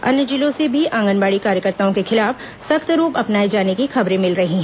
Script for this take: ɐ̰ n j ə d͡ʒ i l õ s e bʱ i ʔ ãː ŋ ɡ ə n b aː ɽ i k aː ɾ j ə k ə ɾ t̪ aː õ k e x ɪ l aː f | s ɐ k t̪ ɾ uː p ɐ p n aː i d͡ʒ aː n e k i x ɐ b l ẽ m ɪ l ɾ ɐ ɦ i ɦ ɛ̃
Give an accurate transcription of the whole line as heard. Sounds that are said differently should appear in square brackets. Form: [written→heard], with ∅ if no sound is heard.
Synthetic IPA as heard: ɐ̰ n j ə d͡ʒ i l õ s e bʱ i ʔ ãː ŋ ɡ ə n b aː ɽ i k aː ɾ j ə k ə ɾ t̪ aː õ k e x ɪ l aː f | s ɐ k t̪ ɾ uː p ɐ p n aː i d͡ʒ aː n e k i x ɐ b [l→ɾ] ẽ m ɪ l ɾ ɐ ɦ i ɦ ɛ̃